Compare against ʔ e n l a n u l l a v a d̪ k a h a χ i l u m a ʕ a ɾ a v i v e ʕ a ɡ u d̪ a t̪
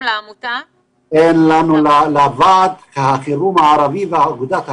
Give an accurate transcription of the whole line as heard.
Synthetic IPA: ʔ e n l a n u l l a v a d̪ k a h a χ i ɾ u m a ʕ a ɾ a v i v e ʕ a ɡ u d̪ a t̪